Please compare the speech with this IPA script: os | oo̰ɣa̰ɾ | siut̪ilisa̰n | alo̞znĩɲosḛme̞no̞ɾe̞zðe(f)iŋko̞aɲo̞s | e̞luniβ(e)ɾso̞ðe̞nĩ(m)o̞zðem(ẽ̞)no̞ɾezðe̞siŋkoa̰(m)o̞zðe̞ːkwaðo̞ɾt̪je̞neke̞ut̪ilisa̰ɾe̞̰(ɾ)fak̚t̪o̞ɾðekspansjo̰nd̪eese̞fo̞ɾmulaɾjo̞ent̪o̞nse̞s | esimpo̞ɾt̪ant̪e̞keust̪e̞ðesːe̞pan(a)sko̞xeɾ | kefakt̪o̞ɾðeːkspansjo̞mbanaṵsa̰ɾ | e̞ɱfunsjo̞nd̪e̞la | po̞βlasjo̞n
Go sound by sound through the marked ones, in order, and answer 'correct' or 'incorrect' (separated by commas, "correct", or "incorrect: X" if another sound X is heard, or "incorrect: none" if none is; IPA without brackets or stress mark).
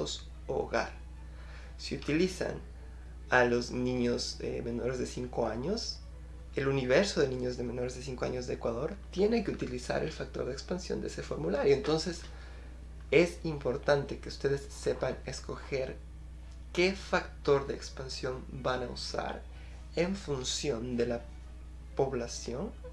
incorrect: s, correct, incorrect: ɲ, incorrect: e̞, incorrect: ɲ, incorrect: l, incorrect: e